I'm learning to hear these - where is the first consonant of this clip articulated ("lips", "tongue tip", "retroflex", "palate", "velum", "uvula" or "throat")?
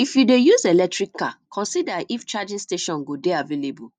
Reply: lips